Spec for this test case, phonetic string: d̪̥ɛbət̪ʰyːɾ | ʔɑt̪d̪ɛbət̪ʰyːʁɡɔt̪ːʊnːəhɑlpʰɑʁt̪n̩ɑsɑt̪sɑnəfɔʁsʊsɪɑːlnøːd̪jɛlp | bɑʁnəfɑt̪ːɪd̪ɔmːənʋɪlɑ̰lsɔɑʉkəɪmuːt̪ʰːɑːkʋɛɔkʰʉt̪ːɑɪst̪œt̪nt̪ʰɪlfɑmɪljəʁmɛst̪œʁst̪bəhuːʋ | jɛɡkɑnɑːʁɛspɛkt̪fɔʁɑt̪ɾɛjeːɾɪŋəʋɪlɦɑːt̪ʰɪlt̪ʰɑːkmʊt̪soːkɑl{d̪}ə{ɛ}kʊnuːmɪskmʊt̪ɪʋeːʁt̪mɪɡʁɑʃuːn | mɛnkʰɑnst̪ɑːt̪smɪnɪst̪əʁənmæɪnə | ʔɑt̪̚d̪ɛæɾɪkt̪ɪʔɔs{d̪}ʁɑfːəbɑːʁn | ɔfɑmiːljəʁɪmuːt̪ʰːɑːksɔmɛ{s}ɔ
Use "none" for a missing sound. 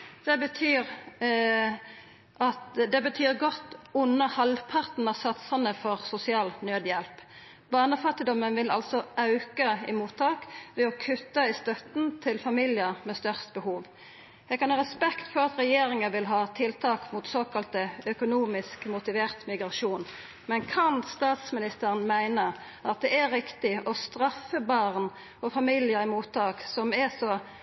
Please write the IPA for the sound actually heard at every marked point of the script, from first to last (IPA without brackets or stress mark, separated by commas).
t̪, œ, t̪, s